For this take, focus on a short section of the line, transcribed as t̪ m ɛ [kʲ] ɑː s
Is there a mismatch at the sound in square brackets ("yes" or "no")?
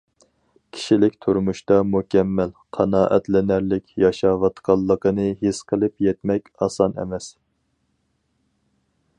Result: no